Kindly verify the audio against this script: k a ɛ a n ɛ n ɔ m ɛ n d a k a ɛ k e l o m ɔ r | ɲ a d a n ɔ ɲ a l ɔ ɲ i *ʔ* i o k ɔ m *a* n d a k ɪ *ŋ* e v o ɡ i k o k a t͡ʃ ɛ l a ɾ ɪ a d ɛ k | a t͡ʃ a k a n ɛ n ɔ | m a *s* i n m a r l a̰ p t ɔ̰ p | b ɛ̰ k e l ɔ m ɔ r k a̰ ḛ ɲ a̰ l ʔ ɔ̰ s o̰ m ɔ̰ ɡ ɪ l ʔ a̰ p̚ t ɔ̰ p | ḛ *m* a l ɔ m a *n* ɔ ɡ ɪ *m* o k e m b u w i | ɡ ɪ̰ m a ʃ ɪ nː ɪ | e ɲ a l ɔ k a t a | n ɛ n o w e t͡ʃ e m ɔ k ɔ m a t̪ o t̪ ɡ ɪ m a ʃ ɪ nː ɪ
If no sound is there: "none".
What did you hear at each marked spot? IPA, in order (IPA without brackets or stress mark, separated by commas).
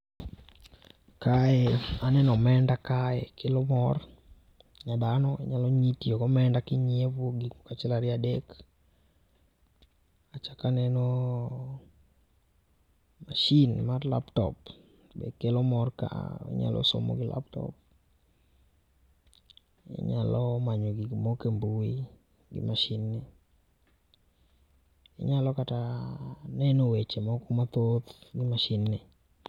t, ɛ, ɲ, ʃ, ɲ, ɲ, m